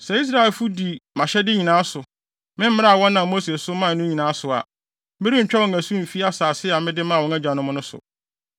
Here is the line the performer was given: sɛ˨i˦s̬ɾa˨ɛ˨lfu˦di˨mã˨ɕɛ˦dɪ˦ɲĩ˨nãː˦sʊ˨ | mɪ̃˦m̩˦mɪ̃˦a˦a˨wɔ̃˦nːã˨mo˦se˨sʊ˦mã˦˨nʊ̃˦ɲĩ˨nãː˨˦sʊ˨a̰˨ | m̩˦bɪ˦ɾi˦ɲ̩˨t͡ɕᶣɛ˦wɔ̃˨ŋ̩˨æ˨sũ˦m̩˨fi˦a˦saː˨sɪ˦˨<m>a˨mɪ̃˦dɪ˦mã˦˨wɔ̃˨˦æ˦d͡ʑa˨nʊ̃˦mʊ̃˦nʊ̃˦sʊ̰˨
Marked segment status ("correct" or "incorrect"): incorrect